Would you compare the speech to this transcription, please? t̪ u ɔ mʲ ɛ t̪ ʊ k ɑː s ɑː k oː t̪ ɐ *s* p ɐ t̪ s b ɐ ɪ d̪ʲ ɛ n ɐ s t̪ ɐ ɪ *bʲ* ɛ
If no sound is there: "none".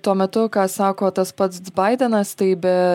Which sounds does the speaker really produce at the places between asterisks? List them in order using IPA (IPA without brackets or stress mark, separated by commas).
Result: s, bʲ